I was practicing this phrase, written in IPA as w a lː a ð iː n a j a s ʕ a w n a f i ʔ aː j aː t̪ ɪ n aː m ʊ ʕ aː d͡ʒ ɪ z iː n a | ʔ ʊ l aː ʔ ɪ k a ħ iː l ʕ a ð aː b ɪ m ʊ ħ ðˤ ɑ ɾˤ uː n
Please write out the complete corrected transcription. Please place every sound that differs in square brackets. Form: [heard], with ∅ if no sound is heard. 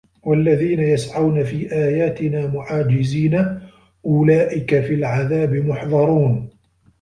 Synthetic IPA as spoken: w a lː a ð iː n a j a s ʕ a w n a f [iː] ʔ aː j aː t̪ ɪ n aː m ʊ ʕ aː d͡ʒ ɪ z iː n a | ʔ ʊ l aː ʔ ɪ k a [f] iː l ʕ a ð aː b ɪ m ʊ ħ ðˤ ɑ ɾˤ uː n